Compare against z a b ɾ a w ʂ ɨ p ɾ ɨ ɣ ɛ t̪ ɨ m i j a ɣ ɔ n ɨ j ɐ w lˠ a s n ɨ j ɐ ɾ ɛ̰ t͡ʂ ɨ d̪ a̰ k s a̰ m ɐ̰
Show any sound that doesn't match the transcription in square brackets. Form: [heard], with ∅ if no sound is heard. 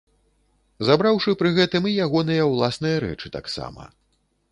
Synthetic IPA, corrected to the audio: z a b ɾ a w ʂ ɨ p ɾ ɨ ɣ ɛ t̪ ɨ m i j a ɣ ɔ n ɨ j ɐ w lˠ a s n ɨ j ɐ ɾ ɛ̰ t͡ʂ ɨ [t̪] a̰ k s a̰ m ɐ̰